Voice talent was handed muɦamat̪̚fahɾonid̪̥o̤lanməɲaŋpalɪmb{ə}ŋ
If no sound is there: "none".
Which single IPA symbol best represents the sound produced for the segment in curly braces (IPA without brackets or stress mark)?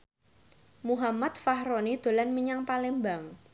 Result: a